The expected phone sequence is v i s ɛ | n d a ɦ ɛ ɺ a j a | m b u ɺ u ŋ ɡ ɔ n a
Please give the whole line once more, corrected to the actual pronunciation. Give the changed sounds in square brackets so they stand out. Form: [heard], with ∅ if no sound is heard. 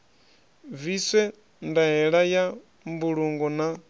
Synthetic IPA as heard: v i s ɛ | n d a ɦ ɛ ɺ a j a | m b u ɺ u ŋ ɡ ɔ n a